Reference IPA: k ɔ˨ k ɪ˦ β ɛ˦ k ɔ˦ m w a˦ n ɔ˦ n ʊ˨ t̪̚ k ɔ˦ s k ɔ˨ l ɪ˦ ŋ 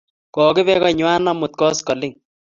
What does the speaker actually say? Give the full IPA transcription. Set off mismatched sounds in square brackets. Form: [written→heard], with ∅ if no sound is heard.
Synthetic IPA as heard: k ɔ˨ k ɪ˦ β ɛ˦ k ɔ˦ [m→ɲ] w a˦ n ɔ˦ [n→m] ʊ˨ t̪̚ k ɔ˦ s k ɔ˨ l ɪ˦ ŋ

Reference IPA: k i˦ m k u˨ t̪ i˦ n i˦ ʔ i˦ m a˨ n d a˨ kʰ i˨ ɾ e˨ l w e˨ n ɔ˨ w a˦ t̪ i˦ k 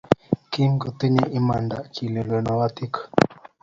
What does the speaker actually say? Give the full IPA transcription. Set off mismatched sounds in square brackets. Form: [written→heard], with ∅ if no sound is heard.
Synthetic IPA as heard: k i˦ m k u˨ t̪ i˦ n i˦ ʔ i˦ m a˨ n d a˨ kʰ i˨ [ɾ→l] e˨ l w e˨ n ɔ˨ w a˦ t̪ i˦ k

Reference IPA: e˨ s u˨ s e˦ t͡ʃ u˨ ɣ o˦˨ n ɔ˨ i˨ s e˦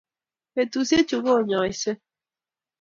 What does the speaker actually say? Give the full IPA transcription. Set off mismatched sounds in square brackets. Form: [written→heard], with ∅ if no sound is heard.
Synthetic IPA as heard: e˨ [s→t] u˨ s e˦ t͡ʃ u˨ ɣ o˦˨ [n→ɲ] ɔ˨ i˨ s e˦

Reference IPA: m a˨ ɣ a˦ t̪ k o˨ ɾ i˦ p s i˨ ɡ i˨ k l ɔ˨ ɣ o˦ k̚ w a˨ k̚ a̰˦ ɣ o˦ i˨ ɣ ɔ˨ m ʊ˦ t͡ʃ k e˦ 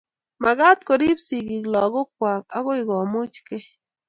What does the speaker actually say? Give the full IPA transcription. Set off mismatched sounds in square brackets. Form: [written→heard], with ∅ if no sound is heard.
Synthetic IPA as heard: m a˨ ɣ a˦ t̪ k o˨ ɾ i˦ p s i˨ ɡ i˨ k l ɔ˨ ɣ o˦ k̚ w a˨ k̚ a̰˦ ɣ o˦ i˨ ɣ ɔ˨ m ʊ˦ t͡ʃ k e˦

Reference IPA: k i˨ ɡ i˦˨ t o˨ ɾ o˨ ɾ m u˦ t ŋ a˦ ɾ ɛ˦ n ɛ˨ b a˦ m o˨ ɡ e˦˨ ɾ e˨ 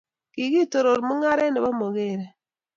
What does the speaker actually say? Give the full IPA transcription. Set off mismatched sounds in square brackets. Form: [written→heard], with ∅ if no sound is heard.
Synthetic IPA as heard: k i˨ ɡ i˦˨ t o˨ ɾ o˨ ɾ m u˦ [t→∅] ŋ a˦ ɾ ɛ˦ n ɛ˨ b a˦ m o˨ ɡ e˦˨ ɾ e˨

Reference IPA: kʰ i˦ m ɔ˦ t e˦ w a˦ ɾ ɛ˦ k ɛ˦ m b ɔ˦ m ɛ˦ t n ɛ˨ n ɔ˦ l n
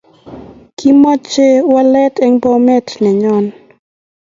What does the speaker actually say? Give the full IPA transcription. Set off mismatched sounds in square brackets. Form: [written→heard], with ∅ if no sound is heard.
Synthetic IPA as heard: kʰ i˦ m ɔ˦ [t→t͡ʃ] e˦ w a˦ [ɾ→l] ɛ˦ [k→t] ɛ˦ [m→ŋ] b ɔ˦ m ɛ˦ t n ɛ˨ [n→ɲ] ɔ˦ [l→∅] n

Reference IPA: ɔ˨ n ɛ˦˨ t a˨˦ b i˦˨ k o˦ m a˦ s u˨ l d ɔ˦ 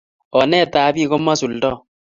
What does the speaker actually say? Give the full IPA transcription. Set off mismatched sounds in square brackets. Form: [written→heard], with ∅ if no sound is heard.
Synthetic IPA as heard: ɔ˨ n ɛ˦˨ t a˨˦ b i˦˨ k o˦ m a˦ s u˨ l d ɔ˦

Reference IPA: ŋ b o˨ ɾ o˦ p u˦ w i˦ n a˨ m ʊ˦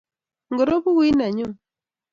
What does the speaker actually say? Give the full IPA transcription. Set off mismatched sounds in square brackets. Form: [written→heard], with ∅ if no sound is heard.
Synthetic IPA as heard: ŋ [b→ɡ] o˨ ɾ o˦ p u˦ w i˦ n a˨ [m→ɲ] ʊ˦

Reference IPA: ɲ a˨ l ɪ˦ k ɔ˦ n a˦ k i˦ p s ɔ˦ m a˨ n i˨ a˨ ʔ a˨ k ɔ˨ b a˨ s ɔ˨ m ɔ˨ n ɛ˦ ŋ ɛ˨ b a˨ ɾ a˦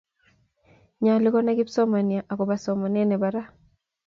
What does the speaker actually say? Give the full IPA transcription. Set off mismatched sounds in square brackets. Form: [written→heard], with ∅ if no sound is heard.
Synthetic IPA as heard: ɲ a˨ l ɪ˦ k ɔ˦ n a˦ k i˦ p s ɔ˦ m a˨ n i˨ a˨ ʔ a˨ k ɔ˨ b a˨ s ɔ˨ m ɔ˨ n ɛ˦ [ŋ→n] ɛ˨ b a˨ ɾ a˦

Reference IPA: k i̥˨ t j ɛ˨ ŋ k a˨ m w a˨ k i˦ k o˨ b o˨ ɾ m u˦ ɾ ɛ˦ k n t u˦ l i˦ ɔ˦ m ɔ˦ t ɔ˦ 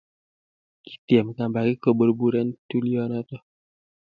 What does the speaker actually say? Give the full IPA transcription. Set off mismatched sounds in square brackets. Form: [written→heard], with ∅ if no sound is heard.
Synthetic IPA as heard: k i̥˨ t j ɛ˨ [ŋ→m] k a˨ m [w→b] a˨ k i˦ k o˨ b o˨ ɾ [m→b] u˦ ɾ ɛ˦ [k→∅] n t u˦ l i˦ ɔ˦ [m→n] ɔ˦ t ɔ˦

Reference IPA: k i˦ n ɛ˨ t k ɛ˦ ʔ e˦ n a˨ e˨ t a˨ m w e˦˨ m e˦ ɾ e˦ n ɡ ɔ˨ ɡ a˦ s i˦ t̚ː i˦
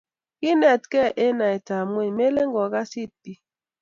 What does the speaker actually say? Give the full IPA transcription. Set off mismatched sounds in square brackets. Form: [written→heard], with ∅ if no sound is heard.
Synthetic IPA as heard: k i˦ n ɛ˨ t k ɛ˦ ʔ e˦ n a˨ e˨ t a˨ m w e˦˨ m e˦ [ɾ→l] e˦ [n→ŋ] ɡ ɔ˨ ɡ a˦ s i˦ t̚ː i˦

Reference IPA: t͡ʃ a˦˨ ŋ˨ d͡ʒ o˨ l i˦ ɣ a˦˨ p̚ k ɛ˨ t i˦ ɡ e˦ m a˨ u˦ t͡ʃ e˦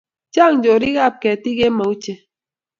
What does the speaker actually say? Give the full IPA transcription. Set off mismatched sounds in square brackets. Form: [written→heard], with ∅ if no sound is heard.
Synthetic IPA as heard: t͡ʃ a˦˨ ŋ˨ d͡ʒ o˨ [l→ɾ] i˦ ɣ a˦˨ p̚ k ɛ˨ t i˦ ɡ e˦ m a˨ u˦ t͡ʃ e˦

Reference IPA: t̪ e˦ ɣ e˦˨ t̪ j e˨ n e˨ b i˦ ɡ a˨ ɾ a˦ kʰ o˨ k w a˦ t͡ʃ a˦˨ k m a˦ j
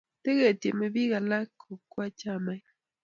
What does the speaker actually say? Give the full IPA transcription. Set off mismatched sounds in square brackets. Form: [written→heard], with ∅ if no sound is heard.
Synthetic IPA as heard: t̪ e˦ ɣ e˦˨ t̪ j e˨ [n→m] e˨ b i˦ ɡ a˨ [ɾ→l] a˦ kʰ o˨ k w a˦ t͡ʃ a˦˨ [k→∅] m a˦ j

